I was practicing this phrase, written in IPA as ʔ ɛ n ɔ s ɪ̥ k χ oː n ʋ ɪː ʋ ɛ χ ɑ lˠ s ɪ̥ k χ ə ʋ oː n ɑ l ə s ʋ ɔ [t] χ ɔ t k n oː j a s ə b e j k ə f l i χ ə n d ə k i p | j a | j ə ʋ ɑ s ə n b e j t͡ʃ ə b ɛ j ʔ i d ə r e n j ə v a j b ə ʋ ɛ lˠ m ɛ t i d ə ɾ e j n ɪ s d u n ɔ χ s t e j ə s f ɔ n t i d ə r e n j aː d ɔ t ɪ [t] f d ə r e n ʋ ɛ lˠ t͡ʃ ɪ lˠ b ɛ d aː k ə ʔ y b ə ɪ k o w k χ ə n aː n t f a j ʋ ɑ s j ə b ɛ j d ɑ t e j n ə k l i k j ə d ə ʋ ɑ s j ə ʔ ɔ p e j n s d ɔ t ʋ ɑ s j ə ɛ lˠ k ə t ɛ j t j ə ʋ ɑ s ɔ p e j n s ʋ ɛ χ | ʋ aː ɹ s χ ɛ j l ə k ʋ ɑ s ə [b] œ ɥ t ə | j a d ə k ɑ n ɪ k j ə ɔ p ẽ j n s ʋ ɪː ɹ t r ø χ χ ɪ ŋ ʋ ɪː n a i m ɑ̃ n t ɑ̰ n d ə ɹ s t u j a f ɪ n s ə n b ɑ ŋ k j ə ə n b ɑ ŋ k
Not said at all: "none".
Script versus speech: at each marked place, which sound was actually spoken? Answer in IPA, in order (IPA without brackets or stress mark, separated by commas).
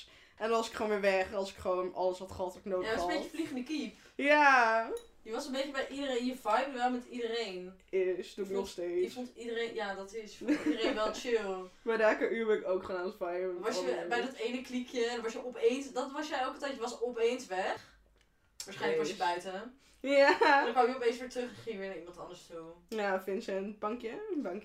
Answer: t, s, b